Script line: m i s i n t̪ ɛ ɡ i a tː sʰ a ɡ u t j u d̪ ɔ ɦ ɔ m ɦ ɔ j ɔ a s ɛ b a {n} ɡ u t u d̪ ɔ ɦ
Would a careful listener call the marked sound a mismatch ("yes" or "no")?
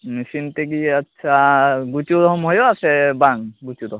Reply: yes